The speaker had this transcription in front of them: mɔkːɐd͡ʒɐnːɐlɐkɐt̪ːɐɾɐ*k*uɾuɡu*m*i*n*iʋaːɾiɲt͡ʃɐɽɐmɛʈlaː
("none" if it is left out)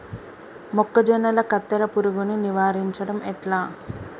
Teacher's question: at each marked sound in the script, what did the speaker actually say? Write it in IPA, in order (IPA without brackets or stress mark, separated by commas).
p, n, n